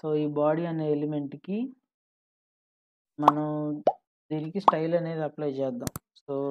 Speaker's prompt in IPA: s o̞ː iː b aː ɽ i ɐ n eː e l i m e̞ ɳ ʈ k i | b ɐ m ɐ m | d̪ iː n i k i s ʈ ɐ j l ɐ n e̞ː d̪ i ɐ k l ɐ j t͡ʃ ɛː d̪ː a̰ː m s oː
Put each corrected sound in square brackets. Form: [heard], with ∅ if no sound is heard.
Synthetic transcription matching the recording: s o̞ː iː b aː ɽ i ɐ n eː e l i m e̞ ɳ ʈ k i | [m] ɐ [n] ɐ m | d̪ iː n i k i s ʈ ɐ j l ɐ n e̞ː d̪ i ɐ [p] l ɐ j t͡ʃ ɛː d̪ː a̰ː m s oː